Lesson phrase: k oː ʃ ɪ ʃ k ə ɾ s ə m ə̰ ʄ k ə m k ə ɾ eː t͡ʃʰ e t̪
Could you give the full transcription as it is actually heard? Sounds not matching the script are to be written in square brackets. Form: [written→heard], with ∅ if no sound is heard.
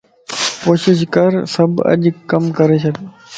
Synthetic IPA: k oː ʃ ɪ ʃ k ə ɾ s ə [m→b] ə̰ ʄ k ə m k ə ɾ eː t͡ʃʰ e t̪